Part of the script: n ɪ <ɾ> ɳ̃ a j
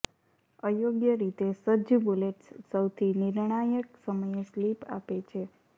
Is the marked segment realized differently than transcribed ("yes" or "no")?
no